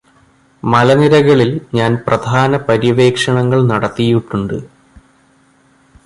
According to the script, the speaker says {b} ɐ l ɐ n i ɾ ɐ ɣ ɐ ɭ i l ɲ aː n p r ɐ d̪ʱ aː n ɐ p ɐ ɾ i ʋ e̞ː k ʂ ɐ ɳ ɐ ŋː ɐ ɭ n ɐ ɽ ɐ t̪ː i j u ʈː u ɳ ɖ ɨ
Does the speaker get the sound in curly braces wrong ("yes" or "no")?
yes